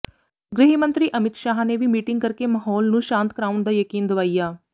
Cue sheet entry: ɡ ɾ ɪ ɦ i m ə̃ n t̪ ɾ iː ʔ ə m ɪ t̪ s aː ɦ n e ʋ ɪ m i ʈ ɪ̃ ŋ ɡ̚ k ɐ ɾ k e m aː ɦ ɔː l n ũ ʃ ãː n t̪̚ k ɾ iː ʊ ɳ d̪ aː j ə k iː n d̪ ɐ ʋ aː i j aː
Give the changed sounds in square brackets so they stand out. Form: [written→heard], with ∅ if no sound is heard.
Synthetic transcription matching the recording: ɡ ɾ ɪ ɦ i m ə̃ n t̪ ɾ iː ʔ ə m ɪ t̪ [s→ʃ] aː ɦ n e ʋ [ɪ→i] m [i→iː] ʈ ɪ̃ ŋ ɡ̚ k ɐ ɾ k e m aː ɦ ɔː l n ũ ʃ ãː n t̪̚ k ɾ [iː→aː] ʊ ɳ d̪ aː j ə k iː n d̪ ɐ ʋ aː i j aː

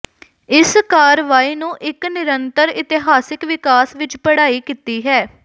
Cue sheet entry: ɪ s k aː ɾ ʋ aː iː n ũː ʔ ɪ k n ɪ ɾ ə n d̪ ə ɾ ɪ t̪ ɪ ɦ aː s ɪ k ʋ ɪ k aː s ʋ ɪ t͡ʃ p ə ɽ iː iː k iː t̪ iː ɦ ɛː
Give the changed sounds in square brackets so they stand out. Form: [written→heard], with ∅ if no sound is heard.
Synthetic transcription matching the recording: ɪ s k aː ɾ ʋ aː iː n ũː ʔ ɪ k n ɪ ɾ ə n [d̪→t̪] ə ɾ ɪ t̪ ɪ ɦ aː s ɪ k ʋ ɪ k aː s ʋ ɪ t͡ʃ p ə ɽ [iː→aː] iː k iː t̪ iː ɦ ɛː

